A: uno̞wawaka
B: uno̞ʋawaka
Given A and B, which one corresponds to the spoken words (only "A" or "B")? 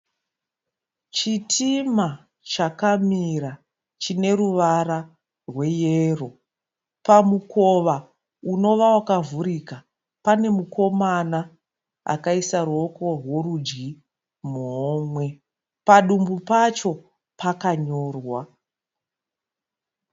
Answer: B